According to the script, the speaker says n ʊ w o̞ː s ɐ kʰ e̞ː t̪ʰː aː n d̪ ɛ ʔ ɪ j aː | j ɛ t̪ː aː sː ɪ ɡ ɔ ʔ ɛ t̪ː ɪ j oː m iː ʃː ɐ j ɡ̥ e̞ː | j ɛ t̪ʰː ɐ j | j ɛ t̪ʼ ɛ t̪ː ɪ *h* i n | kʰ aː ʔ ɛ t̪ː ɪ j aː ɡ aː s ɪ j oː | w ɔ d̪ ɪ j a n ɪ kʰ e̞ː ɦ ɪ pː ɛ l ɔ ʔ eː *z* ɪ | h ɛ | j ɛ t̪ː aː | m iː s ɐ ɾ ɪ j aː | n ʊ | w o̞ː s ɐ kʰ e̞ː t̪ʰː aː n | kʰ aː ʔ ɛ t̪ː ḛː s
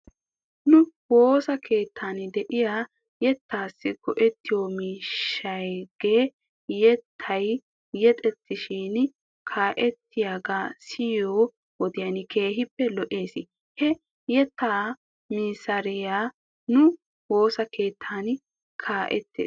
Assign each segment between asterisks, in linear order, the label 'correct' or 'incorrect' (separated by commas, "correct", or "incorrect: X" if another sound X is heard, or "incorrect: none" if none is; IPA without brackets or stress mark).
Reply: incorrect: ʃ, incorrect: s